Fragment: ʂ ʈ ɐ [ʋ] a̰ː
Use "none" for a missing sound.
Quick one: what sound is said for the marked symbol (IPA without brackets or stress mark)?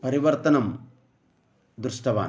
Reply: ʋ